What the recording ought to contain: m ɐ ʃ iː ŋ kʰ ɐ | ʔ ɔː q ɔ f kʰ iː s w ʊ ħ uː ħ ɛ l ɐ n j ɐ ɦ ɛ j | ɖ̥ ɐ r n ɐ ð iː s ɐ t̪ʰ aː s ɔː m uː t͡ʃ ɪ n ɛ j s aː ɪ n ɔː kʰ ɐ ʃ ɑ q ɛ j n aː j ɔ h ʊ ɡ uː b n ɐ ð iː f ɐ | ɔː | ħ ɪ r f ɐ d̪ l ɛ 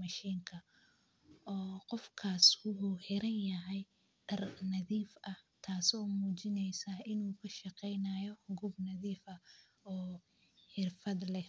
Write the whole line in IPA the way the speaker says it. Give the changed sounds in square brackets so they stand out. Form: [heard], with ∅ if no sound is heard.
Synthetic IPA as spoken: m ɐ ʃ iː ŋ kʰ ɐ | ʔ ɔː q ɔ f kʰ [aː] s w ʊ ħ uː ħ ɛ [ɾ] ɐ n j ɐ ɦ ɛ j | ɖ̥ ɐ r n ɐ ð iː [f] ɐ t̪ʰ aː s ɔː m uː t͡ʃ ɪ n ɛ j s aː ɪ n [uː] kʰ ɐ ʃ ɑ q ɛ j n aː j ɔ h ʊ ɡ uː b n ɐ ð iː f ɐ | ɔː | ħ ɪ r f ɐ d̪ l ɛ